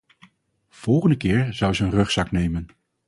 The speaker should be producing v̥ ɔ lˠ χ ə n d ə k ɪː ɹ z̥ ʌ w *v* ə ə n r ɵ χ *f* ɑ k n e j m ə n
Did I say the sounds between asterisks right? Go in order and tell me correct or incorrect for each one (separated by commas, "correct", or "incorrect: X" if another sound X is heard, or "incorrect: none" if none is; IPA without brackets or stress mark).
incorrect: z, incorrect: s